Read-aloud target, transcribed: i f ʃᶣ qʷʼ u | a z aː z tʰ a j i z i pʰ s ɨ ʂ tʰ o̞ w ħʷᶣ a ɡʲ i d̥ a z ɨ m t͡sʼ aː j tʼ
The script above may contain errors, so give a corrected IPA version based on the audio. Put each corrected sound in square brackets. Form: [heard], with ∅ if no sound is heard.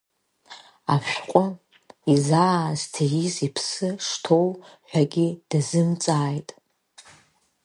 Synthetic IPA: [a] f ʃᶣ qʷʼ [ʊ] | [i] z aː z tʰ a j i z i pʰ s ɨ ʂ tʰ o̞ w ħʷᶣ a ɡʲ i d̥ a z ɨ m t͡sʼ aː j tʼ